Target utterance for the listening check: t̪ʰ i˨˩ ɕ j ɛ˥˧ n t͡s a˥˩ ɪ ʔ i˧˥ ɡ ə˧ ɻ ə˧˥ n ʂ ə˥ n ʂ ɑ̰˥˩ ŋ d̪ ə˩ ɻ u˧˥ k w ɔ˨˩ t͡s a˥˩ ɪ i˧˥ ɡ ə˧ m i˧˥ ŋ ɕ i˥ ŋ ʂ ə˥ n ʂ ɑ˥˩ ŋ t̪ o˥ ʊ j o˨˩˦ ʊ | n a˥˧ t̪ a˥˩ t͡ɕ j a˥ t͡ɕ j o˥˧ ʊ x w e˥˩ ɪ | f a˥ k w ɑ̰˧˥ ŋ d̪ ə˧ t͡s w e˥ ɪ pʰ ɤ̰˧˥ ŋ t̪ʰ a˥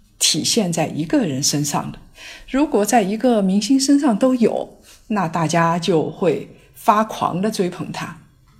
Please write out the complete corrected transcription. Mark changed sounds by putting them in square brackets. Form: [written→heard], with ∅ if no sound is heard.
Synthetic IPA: t̪ʰ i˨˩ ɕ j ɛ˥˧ n t͡s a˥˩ ɪ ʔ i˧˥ ɡ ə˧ ɻ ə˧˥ n ʂ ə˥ n ʂ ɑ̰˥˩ ŋ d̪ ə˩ ɻ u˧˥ k w ɔ˨˩ t͡s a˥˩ ɪ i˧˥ ɡ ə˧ m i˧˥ ŋ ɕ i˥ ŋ ʂ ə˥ n ʂ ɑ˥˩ ŋ t̪ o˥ ʊ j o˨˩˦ ʊ | n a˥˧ t̪ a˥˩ t͡ɕ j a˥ t͡ɕ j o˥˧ ʊ x w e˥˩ ɪ | f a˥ [k→kʰ] w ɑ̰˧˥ ŋ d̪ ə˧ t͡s w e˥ ɪ pʰ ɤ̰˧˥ ŋ t̪ʰ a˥